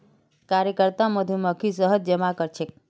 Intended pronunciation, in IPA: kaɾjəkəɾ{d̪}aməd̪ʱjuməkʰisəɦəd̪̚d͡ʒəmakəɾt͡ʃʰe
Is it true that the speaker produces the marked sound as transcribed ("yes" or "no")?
no